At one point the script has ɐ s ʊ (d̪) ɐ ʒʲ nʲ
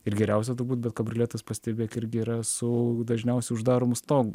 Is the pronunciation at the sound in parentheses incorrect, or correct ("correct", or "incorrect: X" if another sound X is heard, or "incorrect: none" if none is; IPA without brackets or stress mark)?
correct